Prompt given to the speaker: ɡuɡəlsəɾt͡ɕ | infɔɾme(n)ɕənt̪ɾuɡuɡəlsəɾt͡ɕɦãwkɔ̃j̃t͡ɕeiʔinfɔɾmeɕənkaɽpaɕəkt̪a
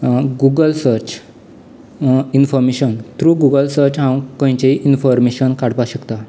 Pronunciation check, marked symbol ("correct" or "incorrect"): incorrect